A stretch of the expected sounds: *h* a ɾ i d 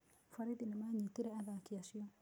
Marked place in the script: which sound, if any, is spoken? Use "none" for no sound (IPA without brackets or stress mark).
f